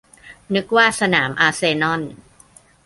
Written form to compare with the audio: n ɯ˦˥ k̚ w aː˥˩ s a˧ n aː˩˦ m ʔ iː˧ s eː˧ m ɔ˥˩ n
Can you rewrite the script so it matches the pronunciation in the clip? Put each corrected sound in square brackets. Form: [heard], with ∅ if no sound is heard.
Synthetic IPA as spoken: n ɯ˦˥ k̚ w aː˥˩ s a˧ n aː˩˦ m ʔ [aː˧] s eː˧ [n] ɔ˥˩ n